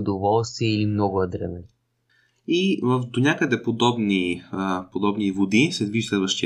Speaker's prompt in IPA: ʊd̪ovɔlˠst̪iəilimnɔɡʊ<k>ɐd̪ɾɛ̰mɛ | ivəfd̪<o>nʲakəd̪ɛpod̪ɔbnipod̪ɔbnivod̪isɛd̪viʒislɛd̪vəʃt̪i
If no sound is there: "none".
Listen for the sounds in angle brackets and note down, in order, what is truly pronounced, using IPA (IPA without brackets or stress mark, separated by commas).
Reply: none, o